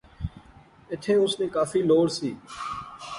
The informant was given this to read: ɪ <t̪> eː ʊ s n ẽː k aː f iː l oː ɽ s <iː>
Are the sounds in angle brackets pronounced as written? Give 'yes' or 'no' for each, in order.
no, yes

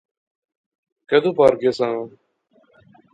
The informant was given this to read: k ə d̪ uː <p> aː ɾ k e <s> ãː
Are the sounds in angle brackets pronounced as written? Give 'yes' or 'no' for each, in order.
yes, yes

